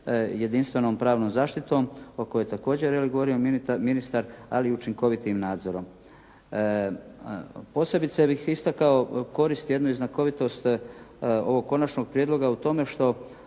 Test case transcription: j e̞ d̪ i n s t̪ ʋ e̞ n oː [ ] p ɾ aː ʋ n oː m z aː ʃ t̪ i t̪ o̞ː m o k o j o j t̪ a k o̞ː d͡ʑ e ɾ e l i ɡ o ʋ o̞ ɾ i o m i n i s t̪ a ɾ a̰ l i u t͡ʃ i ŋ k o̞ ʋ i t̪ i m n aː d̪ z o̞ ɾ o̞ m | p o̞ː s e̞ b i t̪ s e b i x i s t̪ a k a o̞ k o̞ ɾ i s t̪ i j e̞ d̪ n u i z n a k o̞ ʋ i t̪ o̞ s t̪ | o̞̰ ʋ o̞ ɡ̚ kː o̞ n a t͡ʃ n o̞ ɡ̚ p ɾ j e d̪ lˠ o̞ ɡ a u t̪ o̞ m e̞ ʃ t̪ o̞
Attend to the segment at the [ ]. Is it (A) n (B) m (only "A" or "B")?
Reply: B